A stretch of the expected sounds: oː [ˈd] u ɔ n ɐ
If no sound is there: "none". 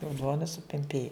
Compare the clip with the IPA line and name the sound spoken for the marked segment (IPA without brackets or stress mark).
d